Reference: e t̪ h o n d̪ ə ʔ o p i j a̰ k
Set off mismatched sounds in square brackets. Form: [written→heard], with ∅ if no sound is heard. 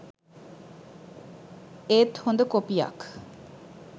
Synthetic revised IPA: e t̪ h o n d̪ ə [ʔ→k] o p i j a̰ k